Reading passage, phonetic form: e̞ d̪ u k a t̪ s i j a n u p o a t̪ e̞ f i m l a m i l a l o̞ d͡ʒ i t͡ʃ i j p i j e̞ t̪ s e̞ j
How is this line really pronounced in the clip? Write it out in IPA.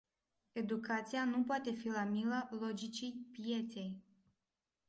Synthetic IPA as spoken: e̞ d̪ u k a t̪ s i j a n u p o a t̪ e̞ f i l a m i l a l o̞ d͡ʒ i t͡ʃ i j p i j e̞ t̪ s e̞ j